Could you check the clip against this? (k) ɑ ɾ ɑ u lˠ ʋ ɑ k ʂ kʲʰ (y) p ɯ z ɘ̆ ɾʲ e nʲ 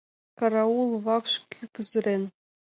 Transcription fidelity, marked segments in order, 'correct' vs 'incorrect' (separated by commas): correct, correct